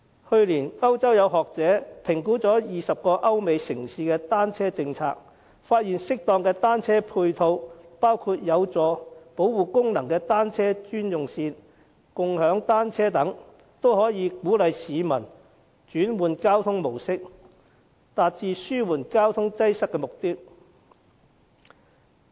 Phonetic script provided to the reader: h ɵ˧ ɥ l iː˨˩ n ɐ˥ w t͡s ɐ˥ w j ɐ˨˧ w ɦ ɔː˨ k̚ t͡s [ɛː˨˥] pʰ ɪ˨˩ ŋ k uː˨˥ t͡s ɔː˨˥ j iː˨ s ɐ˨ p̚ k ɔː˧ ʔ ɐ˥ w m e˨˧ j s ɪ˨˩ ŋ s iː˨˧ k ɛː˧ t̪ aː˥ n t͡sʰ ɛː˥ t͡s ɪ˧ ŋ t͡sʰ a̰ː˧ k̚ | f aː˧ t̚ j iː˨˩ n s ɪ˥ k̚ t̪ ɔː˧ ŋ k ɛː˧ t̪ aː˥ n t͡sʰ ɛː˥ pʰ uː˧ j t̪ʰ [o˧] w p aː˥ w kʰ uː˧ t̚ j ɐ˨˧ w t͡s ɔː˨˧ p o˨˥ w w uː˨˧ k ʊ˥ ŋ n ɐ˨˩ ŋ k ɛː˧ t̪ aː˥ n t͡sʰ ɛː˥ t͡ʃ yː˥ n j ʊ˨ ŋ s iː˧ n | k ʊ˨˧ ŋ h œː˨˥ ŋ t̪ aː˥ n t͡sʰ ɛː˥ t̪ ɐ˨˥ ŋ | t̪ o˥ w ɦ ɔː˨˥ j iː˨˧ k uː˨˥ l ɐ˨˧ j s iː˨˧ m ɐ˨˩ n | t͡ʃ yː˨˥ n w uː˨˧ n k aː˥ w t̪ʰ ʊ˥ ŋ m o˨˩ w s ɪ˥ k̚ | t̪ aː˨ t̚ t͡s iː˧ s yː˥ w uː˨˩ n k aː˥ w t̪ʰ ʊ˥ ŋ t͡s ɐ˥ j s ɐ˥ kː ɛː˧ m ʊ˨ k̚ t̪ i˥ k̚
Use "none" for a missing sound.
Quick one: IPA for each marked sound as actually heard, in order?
ɛː˨˥, o˧

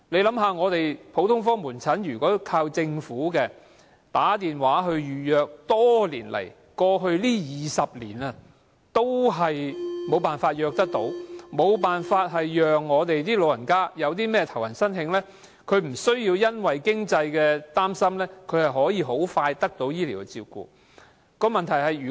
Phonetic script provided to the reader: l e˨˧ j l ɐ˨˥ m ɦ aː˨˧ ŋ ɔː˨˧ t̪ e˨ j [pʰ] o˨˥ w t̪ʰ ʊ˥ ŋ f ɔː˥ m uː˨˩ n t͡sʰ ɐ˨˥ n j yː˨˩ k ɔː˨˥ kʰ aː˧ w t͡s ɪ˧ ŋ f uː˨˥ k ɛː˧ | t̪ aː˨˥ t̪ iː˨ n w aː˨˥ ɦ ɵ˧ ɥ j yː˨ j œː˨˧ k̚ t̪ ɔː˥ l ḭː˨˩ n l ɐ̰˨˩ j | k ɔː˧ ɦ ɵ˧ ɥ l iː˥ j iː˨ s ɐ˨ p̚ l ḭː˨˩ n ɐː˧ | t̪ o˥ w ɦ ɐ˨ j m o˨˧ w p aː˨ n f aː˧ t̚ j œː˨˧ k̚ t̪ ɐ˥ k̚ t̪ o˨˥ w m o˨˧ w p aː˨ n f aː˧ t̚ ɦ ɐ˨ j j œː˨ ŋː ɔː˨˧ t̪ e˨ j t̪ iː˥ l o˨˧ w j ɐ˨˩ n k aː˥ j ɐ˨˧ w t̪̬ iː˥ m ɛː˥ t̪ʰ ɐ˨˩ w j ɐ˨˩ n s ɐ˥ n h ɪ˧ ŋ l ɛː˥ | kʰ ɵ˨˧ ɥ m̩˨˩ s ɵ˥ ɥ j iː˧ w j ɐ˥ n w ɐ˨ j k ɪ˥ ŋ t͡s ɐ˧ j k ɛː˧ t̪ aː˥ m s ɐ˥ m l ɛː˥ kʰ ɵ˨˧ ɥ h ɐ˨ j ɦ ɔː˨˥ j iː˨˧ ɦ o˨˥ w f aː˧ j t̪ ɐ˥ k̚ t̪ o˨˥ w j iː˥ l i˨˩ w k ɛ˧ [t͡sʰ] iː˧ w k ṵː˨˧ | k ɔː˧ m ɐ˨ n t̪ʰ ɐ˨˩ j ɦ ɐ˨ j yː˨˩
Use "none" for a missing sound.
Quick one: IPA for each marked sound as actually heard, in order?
pʰ, t͡s

